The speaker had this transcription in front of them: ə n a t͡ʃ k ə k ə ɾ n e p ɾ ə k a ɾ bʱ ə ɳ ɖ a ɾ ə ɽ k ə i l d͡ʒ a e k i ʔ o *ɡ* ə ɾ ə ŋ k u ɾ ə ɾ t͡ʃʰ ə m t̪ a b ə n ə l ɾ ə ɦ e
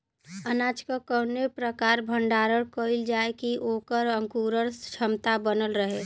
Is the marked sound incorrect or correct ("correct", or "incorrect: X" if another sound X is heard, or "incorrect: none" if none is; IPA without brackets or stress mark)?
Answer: incorrect: k